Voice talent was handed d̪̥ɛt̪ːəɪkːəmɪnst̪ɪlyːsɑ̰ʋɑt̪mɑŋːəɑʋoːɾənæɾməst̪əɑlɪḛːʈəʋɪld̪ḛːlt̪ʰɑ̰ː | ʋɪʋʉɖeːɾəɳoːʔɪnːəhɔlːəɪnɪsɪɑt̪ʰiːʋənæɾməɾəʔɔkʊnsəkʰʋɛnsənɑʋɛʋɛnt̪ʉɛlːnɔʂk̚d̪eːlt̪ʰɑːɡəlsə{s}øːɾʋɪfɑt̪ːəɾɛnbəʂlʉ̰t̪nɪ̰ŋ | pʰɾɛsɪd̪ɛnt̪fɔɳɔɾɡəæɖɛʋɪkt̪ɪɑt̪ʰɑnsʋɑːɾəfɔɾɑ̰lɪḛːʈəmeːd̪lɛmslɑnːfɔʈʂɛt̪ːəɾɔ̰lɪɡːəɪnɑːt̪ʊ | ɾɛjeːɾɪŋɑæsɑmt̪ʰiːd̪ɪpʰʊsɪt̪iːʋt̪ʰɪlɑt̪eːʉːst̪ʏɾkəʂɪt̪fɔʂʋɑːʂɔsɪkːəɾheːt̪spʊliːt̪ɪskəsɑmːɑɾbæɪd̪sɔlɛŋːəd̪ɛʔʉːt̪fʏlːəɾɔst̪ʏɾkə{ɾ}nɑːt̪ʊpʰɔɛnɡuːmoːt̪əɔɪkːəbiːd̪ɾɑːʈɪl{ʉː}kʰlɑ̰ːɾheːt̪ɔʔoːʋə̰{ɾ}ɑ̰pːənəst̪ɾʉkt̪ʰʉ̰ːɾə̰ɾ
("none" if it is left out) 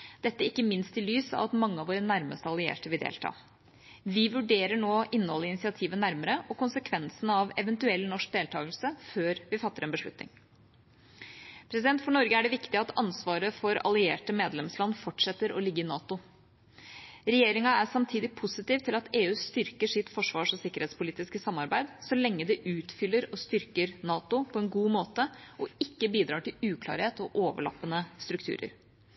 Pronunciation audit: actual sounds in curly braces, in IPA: f, ɾ, ʉː, ɭ

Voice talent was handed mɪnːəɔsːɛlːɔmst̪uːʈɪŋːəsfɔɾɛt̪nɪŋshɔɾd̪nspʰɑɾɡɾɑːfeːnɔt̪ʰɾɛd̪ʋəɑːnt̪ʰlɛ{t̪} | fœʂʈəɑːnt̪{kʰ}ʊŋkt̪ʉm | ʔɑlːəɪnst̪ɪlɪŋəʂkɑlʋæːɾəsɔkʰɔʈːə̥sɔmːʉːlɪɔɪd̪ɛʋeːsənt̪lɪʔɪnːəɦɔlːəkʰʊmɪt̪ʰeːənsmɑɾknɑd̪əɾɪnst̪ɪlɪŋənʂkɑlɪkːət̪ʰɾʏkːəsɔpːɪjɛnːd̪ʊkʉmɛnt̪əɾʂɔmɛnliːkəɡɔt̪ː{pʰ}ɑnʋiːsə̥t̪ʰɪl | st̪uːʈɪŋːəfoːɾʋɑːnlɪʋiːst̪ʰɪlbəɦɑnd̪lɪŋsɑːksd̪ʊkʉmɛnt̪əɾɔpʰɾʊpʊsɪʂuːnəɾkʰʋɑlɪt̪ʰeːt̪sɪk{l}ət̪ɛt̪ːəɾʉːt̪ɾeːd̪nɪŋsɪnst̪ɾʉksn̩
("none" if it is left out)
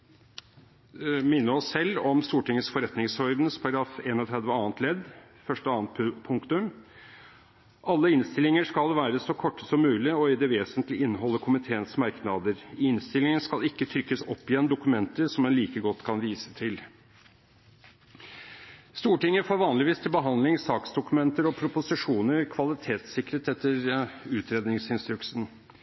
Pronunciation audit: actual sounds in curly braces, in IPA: d̪, pʰ, kʰ, ɾ

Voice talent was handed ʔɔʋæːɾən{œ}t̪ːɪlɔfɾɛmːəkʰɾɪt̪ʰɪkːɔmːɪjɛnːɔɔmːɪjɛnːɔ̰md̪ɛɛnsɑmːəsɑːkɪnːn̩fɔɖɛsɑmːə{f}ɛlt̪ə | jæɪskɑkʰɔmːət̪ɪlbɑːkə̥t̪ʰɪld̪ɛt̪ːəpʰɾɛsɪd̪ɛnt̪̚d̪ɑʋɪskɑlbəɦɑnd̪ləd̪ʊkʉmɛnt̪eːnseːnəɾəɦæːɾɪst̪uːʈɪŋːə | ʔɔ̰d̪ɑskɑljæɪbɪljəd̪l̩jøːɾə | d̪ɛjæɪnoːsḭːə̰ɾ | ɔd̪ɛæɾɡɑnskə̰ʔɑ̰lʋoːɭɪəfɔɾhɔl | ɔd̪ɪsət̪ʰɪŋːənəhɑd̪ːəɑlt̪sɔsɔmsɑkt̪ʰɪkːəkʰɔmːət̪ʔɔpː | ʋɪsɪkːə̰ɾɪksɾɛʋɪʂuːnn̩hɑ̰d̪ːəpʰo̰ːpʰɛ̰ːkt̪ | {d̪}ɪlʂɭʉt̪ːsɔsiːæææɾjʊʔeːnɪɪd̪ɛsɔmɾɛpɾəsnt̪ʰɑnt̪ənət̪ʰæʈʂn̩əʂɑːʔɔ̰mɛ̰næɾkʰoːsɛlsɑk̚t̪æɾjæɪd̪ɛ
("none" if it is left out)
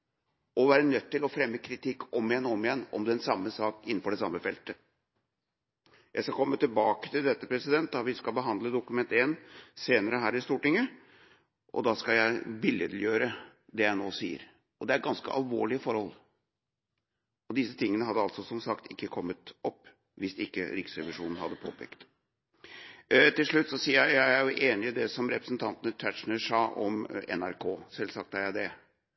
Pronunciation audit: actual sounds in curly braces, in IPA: œ, f, t̪

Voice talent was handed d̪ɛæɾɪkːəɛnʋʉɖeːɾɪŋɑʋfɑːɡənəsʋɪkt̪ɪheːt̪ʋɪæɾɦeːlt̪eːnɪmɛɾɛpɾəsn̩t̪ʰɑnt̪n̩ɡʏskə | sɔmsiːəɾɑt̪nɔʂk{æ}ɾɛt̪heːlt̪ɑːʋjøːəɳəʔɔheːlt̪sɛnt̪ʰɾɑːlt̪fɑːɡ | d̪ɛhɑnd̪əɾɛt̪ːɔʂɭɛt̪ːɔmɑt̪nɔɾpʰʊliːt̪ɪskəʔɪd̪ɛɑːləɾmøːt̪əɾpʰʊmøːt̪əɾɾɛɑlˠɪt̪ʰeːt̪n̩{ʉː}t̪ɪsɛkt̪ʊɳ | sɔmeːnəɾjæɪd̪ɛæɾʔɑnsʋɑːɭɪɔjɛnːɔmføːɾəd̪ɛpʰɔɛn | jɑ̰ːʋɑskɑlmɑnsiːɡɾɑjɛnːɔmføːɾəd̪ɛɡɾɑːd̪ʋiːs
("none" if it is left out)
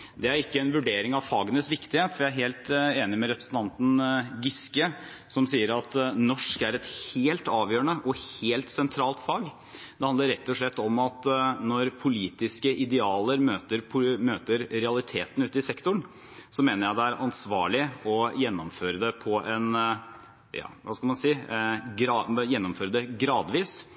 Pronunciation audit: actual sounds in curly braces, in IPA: æ, ʉː

